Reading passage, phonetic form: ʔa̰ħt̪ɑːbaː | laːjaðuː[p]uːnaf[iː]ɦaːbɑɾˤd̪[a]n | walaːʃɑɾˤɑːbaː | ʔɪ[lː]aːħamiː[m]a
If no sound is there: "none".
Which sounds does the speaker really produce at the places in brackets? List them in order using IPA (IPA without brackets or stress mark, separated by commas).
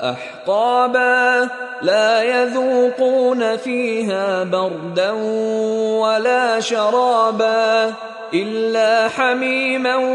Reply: q, iː, a, lː, m